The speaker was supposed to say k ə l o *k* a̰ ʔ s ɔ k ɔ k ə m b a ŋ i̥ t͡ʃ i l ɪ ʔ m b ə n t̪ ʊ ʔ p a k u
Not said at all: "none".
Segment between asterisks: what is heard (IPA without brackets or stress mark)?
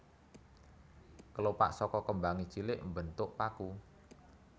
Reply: p